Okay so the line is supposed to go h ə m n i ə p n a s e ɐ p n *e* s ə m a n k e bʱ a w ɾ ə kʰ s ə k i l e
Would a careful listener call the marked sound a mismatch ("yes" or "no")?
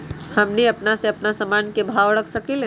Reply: yes